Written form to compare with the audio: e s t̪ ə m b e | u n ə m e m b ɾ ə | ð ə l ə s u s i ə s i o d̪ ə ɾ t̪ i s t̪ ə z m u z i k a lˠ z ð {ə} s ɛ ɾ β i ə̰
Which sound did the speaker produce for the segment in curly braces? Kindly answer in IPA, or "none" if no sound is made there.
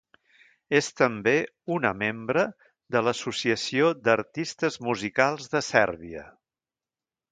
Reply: ə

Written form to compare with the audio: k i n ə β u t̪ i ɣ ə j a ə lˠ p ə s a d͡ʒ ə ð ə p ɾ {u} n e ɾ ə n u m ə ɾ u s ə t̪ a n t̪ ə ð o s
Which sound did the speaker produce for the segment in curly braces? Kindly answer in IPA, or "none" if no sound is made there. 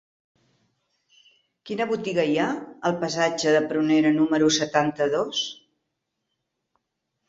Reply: u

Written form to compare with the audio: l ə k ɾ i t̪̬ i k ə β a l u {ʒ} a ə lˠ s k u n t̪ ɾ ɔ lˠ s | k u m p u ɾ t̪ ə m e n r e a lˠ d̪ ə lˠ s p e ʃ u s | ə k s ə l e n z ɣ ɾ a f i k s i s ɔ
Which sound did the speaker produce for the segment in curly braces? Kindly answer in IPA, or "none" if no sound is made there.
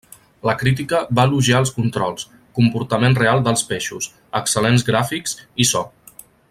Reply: ʒ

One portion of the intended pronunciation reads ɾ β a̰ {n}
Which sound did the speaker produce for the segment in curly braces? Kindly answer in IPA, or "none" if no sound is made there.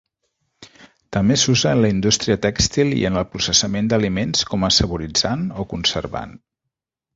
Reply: n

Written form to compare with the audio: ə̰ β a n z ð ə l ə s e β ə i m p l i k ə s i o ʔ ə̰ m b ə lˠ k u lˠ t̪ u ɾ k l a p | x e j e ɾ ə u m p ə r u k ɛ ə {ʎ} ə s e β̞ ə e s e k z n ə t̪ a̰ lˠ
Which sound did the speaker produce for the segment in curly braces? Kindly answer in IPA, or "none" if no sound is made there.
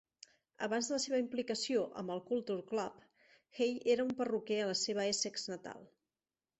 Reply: l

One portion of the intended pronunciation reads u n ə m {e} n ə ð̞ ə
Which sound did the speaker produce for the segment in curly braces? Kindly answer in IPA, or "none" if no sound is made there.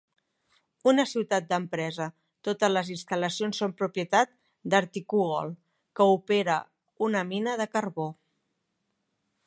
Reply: i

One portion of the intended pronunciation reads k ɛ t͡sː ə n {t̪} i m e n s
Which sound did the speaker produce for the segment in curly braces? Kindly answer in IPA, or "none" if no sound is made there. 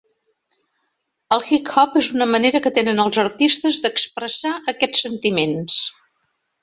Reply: t̪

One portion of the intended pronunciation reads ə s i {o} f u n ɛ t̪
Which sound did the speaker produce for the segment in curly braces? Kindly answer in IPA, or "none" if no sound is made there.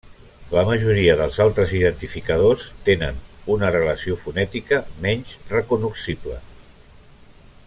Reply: o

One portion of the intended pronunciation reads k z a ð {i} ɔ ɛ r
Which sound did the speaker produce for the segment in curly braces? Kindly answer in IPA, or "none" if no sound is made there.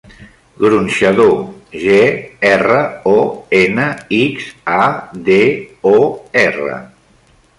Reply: e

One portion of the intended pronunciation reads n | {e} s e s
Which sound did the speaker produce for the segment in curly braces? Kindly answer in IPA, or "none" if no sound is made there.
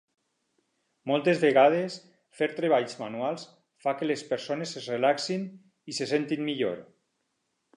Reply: i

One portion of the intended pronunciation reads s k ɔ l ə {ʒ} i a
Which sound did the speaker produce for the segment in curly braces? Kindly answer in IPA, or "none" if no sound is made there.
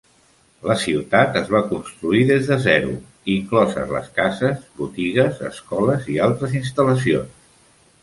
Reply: z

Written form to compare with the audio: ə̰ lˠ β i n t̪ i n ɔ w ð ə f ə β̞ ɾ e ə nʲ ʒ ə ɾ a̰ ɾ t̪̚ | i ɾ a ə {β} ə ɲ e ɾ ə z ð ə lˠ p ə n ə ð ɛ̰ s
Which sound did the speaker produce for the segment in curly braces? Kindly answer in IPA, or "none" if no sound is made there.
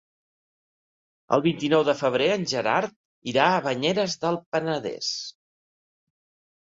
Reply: β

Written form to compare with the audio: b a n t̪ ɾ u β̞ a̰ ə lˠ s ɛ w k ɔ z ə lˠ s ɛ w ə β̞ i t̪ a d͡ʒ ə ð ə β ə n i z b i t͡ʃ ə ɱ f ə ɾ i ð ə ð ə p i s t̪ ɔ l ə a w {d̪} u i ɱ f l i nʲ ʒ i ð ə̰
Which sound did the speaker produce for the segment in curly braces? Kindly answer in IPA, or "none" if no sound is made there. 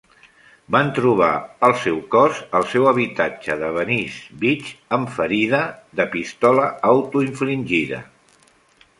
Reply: t̪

